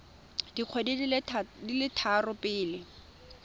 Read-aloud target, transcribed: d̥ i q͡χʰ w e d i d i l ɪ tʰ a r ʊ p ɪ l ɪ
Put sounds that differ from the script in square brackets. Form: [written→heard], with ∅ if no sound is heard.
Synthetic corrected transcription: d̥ i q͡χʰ w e d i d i l ɪ tʰ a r ʊ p [ɪ→ɪː] l ɪ